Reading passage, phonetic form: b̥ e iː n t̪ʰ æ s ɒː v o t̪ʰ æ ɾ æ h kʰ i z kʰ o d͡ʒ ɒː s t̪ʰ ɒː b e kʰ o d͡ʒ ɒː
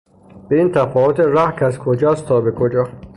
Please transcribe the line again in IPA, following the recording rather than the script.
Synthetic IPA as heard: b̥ e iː n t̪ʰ æ f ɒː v o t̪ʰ e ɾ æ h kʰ æ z kʰ o d͡ʒ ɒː s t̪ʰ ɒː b e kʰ o d͡ʒ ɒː